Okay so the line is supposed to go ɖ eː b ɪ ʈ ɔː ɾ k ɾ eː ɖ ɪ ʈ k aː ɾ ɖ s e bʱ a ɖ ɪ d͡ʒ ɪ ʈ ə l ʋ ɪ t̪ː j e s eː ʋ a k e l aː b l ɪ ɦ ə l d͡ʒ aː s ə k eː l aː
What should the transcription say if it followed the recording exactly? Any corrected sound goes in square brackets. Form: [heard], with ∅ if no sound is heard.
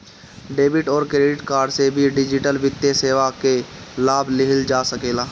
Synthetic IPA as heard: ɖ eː b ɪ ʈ ɔː ɾ k ɾ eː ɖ ɪ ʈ k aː ɾ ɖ s e bʱ [i] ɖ ɪ d͡ʒ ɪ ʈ ə l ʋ ɪ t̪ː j e s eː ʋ a k e l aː b l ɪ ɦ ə l d͡ʒ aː s ə k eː l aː